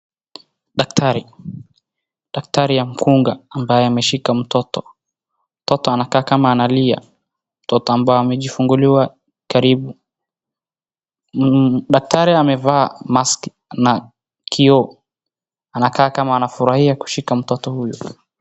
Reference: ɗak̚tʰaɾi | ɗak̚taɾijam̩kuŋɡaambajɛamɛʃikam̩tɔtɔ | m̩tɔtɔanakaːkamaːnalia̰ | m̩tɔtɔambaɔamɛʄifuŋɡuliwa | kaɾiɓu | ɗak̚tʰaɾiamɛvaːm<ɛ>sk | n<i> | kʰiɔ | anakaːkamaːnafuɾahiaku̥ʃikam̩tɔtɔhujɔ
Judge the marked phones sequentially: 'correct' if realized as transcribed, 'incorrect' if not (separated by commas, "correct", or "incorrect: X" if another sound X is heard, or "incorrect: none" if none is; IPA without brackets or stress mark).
incorrect: a, incorrect: a